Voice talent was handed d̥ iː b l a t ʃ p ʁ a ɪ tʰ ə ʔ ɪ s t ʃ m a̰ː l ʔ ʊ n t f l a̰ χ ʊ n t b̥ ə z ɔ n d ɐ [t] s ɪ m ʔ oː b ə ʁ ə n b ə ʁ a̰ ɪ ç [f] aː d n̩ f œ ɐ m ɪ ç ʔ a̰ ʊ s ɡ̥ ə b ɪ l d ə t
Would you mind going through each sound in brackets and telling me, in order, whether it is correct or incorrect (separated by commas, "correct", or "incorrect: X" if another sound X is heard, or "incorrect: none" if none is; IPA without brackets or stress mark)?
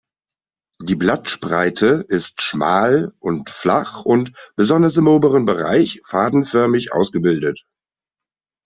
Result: incorrect: none, correct